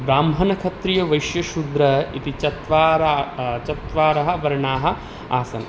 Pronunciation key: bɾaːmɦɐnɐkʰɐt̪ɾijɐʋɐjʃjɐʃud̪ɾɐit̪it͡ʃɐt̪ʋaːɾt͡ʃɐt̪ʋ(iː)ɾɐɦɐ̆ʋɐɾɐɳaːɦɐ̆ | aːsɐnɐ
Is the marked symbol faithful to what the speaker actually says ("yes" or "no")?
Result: no